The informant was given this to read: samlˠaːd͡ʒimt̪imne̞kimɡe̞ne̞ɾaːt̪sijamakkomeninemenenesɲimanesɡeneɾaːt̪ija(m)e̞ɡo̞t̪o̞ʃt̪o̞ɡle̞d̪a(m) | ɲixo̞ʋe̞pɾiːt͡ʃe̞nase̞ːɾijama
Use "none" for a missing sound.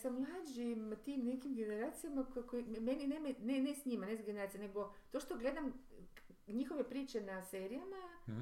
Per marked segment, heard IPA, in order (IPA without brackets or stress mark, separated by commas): n, m